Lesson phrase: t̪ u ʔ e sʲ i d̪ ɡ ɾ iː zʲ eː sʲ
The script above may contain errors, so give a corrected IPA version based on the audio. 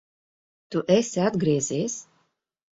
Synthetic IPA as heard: t̪ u ʔ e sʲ a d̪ ɡ ɾ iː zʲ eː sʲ